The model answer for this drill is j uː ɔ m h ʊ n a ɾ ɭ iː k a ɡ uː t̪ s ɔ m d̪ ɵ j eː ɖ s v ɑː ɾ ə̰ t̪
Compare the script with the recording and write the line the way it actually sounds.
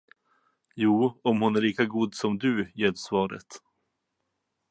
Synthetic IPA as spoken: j uː ɔ m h ʊ n æ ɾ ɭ iː k a ɡ uː d̪ s ɔ m d̪ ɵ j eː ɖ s v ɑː ɾ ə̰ t̪